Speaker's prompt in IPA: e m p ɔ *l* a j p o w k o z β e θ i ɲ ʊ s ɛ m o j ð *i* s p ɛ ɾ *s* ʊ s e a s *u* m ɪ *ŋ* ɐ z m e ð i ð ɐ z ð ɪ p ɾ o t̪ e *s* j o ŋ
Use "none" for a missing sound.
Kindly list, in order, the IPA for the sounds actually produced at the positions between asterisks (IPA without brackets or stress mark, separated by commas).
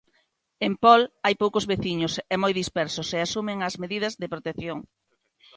l, i, s, u, ŋ, θ